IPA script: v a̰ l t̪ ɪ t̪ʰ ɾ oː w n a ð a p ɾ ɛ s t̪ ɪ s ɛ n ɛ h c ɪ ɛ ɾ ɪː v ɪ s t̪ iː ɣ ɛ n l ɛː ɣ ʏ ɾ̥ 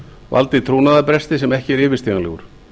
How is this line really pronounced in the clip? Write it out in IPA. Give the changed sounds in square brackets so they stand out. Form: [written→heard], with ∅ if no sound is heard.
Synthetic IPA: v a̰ l t̪ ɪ t̪ʰ ɾ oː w n a ð a p ɾ ɛ s t̪ ɪ s ɛ [n→m] ɛ h c ɪ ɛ ɾ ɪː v ɪ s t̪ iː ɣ [ɛ→a] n l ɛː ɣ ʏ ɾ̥